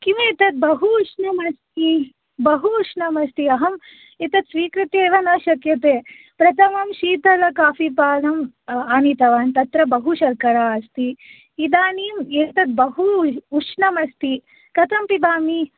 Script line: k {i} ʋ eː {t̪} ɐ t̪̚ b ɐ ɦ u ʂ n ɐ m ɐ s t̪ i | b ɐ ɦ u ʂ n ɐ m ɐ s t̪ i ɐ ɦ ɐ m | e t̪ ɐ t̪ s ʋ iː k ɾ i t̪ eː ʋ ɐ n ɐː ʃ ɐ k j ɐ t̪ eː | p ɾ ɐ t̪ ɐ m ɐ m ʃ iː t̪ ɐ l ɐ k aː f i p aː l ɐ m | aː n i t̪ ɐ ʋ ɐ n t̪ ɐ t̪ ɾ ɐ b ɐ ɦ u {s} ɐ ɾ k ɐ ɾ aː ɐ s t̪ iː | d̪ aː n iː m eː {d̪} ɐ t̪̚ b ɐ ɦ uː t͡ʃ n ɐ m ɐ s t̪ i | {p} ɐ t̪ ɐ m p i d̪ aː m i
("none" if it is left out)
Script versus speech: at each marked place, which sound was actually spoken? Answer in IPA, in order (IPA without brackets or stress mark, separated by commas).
i, t̪, ʃ, t̪, k